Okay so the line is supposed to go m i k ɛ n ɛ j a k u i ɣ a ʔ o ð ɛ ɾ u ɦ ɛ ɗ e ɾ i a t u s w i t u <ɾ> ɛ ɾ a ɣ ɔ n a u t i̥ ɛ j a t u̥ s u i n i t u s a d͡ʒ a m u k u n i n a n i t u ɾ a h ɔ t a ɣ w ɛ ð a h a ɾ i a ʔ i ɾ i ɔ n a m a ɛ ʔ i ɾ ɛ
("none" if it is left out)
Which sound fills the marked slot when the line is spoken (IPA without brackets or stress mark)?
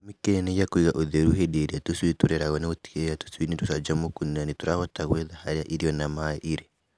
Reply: ɾ